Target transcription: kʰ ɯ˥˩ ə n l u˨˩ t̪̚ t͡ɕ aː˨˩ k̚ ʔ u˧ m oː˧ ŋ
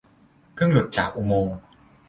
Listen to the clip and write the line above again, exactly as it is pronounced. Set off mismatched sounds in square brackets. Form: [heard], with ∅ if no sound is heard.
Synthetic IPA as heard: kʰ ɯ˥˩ ə [ŋ] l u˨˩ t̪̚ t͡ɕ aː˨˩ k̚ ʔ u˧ m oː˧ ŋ